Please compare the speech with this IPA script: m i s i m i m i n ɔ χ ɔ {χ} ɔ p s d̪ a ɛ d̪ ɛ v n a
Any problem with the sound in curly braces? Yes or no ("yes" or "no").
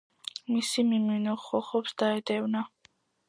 no